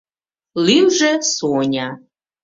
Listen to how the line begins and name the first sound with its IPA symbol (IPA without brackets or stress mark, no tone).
l